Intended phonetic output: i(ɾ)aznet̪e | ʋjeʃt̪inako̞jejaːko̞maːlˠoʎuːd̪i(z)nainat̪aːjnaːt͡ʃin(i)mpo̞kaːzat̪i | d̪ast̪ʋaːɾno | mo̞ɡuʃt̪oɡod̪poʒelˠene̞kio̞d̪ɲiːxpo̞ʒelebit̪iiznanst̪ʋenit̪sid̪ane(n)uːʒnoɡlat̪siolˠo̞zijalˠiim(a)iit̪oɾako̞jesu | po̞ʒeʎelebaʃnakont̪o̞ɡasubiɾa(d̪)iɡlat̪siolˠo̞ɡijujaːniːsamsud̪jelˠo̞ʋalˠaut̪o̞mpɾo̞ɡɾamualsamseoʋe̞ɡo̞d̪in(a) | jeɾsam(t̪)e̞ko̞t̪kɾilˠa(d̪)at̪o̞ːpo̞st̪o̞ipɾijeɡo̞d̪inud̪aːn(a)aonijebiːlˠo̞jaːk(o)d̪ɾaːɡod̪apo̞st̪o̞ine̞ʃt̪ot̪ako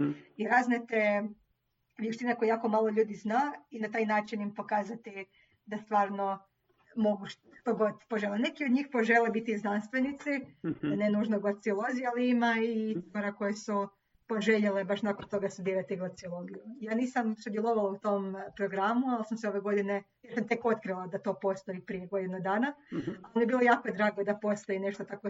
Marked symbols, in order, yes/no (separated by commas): yes, yes, yes, yes, yes, no, no, yes, yes, yes, yes